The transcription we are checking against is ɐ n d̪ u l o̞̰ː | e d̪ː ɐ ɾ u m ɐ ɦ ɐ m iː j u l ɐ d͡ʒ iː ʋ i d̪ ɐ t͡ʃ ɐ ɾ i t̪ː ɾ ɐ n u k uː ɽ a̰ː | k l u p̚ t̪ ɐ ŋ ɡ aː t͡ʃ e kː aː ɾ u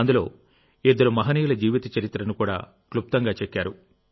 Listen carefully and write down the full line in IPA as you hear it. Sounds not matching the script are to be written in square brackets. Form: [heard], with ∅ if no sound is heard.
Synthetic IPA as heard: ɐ n d̪ u l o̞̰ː | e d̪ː ɐ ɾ u m ɐ ɦ ɐ [n] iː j u l ɐ d͡ʒ iː ʋ i [t̪] ɐ t͡ʃ ɐ ɾ i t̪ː ɾ ɐ n u k uː ɽ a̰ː | k l u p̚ t̪ ɐ ŋ ɡ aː t͡ʃ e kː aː ɾ u